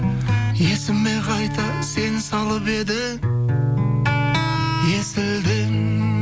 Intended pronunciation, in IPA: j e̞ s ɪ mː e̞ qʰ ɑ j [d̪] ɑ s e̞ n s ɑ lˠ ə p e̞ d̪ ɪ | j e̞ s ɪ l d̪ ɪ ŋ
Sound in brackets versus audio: incorrect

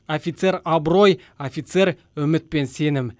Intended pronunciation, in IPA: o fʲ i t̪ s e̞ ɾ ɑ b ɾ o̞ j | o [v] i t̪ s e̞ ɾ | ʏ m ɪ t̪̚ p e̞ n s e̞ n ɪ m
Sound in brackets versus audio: incorrect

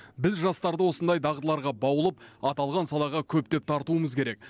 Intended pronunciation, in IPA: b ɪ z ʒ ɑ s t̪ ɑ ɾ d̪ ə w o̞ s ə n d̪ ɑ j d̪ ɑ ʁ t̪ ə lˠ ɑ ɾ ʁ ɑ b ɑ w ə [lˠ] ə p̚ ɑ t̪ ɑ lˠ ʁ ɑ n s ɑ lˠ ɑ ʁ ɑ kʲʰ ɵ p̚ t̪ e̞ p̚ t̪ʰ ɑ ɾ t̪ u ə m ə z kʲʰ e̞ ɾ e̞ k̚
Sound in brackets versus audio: correct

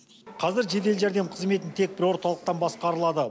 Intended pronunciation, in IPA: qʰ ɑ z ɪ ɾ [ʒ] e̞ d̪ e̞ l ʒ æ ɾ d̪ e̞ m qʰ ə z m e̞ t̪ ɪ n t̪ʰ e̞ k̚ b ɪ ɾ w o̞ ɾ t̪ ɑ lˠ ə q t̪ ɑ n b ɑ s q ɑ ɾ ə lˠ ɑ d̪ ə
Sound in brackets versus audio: correct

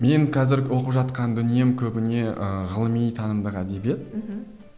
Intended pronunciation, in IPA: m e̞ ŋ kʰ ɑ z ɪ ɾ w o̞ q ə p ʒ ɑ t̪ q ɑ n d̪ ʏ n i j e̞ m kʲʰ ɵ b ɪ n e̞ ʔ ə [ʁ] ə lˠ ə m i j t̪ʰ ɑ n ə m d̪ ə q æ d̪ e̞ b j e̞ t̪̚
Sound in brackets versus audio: correct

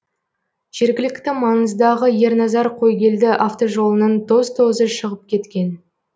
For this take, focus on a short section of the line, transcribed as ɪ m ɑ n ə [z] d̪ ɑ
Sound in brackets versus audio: correct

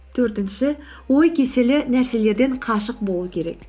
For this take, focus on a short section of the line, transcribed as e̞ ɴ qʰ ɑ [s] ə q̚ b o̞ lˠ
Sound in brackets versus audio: incorrect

